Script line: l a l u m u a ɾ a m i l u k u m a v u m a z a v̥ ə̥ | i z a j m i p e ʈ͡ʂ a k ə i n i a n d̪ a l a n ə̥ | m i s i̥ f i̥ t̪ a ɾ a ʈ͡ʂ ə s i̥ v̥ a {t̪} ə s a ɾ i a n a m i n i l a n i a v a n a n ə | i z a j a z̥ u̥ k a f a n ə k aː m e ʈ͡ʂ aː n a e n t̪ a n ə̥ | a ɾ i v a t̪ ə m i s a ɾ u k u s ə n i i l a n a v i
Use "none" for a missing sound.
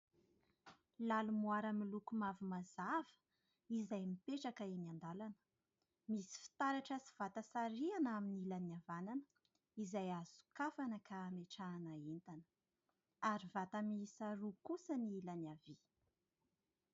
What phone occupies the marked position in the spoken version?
t̪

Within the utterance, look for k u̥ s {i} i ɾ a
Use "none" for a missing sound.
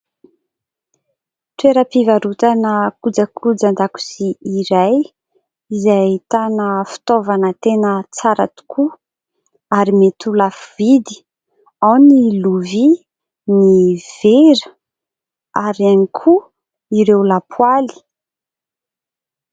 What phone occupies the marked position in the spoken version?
i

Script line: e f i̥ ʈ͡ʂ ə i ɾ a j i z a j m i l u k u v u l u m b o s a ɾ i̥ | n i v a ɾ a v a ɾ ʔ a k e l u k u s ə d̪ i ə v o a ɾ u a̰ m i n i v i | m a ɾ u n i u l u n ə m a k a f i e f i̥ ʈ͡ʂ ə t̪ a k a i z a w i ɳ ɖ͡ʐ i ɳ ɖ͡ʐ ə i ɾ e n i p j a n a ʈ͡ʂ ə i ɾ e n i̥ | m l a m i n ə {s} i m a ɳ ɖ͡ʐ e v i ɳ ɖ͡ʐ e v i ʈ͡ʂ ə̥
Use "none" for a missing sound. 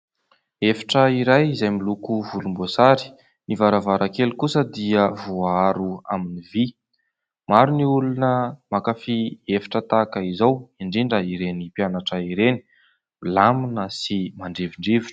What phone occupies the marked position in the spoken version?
s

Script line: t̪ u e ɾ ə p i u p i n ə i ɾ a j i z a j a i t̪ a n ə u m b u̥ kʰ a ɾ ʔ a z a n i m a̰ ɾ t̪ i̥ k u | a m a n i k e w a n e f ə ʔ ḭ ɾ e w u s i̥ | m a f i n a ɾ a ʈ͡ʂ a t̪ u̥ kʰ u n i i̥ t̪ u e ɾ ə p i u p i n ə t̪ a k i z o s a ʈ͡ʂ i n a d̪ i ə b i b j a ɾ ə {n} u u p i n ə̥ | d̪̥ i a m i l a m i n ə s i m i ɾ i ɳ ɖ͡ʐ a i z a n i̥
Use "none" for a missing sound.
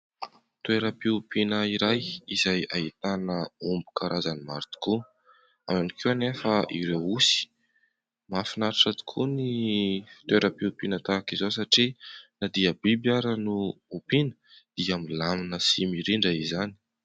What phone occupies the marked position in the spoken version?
n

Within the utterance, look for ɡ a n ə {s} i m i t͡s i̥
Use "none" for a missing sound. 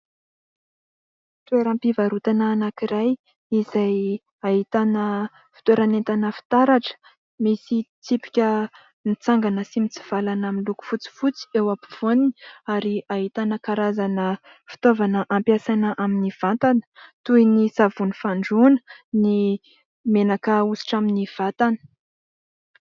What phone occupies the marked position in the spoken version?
s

